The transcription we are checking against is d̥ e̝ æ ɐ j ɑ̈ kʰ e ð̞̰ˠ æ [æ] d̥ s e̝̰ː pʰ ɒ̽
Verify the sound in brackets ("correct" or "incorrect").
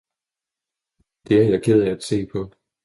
correct